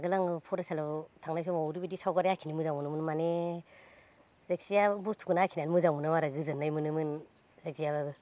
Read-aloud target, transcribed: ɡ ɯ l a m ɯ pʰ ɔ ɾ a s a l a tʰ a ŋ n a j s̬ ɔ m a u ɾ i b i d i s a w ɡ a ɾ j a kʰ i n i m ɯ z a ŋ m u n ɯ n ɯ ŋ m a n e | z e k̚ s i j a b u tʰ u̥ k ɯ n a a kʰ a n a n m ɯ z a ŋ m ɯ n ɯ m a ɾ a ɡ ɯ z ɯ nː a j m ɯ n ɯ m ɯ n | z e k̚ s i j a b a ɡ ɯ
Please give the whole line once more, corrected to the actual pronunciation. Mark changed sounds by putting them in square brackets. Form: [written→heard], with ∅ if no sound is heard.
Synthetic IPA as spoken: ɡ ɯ l a [m→ŋ] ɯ pʰ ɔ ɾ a s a l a tʰ a ŋ n a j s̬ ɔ m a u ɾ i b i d i s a w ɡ a ɾ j a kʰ i n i m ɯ z a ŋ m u n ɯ [n→m] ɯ [ŋ→n] m a n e | z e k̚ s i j a b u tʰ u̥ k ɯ n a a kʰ [a→i] n a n m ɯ z a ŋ m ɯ n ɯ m a ɾ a ɡ ɯ z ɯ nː a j m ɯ n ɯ m ɯ n | z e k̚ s i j a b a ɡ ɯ